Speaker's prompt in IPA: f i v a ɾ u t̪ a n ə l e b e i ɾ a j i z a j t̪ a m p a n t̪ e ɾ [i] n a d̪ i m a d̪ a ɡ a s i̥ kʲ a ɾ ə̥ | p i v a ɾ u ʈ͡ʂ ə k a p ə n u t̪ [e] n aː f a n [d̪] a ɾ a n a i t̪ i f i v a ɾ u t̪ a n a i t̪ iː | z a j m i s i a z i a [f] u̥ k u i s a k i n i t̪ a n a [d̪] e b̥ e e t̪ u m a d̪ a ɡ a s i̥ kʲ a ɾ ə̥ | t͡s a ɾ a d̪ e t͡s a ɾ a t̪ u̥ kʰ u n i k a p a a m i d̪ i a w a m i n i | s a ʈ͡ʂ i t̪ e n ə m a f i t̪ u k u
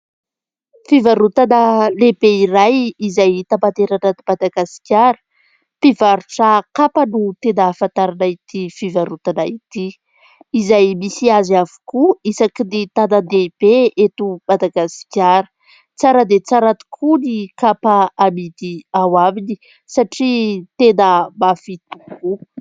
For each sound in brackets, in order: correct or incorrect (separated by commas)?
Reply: incorrect, correct, incorrect, incorrect, correct